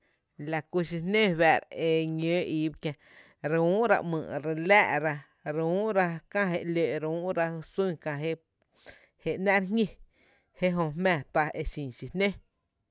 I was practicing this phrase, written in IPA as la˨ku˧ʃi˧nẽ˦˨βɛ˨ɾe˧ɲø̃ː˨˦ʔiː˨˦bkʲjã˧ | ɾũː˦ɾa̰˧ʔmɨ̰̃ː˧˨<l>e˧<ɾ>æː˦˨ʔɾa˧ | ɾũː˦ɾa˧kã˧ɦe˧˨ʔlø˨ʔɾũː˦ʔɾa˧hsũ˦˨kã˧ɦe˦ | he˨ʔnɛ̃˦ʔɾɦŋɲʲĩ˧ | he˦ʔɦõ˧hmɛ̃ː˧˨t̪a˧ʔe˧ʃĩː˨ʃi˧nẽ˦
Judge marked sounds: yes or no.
no, no

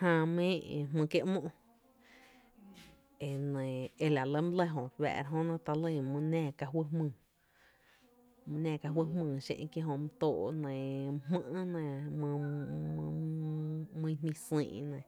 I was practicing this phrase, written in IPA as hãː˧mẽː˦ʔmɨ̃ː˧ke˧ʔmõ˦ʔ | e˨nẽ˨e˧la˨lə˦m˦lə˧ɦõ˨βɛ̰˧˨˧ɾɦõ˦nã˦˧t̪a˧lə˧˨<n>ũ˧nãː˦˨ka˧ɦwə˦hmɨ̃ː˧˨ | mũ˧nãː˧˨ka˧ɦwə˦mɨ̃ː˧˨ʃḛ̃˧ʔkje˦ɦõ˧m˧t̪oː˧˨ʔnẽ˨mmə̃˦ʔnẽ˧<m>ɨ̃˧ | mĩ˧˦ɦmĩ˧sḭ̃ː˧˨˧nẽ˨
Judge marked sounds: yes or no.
no, yes

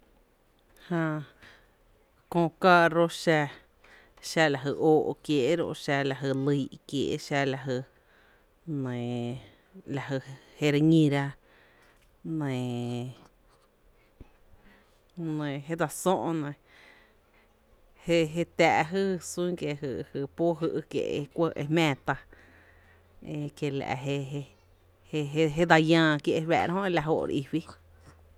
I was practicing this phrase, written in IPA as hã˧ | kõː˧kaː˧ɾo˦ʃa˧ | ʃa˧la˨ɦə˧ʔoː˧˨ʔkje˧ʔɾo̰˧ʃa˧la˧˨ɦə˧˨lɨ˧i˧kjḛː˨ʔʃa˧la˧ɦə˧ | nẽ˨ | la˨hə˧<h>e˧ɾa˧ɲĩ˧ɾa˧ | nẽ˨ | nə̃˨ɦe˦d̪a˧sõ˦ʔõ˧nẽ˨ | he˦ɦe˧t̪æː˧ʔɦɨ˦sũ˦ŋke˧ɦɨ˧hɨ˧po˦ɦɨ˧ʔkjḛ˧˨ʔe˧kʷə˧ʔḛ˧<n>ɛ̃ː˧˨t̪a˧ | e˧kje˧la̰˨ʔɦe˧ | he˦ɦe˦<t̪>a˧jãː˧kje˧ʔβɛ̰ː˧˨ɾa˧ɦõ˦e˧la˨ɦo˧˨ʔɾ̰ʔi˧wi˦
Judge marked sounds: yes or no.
yes, no, no

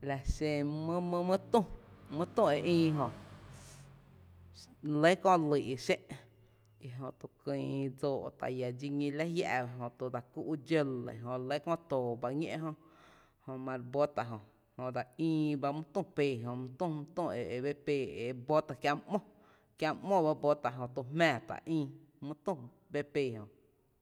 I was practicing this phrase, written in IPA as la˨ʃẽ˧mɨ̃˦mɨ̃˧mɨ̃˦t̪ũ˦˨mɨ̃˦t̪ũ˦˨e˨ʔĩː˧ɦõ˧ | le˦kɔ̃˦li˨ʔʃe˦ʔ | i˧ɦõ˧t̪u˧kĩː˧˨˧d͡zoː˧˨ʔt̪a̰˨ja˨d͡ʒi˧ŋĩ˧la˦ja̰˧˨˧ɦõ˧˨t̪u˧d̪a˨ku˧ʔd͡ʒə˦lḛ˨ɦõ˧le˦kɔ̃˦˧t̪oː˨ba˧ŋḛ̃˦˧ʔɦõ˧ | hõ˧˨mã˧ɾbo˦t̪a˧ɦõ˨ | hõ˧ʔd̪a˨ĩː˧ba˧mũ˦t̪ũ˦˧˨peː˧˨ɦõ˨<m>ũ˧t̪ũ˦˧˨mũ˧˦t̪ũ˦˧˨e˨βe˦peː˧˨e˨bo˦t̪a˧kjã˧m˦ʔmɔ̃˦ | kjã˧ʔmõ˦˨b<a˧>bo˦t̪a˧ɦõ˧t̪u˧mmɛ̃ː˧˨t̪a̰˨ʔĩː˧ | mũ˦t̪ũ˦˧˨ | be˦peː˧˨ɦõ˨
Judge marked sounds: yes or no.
yes, yes

